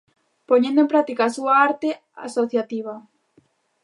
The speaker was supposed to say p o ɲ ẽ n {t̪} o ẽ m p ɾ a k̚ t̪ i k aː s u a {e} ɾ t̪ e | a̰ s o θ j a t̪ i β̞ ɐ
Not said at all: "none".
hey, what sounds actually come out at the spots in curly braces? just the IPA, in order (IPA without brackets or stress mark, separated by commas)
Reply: d̪, a